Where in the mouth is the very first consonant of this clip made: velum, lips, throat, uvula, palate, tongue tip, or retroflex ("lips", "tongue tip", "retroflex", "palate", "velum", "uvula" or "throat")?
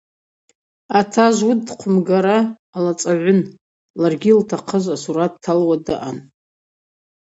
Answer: tongue tip